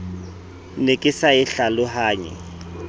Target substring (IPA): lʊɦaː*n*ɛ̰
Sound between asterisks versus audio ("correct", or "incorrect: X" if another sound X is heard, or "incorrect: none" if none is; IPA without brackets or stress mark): incorrect: ɲ